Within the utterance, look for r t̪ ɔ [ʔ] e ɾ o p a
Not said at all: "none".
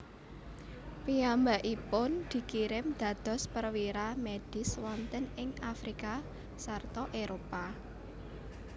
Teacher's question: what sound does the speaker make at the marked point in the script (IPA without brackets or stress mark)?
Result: ʔ